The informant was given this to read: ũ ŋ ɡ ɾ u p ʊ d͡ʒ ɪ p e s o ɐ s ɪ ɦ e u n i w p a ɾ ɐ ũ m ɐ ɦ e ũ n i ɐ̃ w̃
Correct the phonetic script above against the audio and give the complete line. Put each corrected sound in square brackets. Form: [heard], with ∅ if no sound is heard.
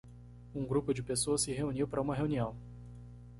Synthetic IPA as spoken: ũ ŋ ɡ ɾ u p ʊ d͡ʒ ɪ p e s o ɐ s ɪ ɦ e u n i w p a ɾ ɐ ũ m ɐ ɦ e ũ n i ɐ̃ w̃